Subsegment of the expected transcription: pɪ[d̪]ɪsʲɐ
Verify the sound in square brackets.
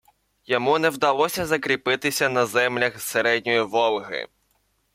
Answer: incorrect: t̪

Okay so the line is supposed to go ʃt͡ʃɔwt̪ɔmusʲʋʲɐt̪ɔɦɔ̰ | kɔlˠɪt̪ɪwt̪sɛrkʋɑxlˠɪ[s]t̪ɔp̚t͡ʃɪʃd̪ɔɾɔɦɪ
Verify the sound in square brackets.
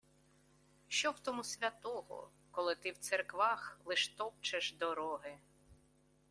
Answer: incorrect: ʃ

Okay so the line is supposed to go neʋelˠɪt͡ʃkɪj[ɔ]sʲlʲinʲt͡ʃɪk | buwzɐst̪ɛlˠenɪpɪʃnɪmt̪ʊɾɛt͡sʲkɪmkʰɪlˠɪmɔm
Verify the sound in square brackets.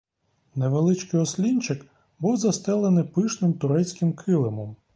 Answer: correct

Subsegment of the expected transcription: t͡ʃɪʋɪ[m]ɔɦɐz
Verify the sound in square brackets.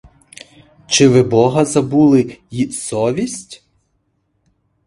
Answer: incorrect: b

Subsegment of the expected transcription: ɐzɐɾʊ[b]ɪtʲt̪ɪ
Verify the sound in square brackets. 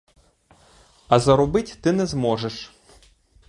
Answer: correct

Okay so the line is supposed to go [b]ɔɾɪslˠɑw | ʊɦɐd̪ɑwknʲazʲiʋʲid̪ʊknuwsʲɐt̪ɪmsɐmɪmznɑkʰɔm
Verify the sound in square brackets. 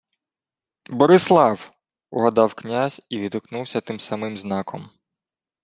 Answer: correct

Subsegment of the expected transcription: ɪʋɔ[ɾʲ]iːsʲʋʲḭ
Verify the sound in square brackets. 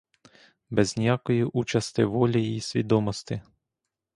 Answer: incorrect: lʲ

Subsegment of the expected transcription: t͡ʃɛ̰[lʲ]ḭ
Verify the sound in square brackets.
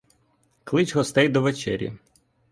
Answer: incorrect: ɾʲ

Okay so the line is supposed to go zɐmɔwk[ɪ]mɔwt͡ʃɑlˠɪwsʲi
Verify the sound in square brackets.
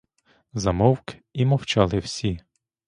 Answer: incorrect: i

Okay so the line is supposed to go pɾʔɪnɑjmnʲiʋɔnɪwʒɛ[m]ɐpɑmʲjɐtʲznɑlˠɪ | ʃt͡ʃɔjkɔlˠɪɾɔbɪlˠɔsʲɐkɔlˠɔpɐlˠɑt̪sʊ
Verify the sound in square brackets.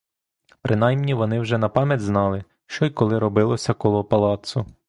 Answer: incorrect: n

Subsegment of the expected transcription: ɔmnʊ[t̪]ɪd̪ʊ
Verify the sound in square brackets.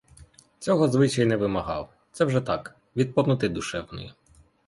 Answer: correct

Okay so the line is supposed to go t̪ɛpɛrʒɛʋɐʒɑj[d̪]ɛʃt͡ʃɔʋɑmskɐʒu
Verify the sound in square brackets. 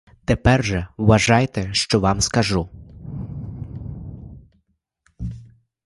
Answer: incorrect: t̪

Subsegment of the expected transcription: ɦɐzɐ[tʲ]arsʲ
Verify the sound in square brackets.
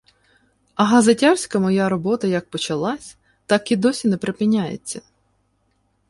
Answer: correct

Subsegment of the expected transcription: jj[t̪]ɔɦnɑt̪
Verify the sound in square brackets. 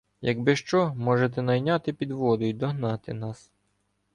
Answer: incorrect: d̪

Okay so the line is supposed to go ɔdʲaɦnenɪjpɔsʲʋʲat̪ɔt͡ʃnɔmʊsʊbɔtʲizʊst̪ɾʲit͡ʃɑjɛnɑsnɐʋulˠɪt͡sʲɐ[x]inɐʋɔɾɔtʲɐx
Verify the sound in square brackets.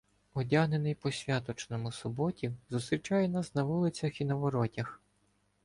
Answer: correct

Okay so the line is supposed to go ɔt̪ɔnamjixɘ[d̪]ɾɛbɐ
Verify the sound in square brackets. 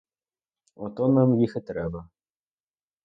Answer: incorrect: t̪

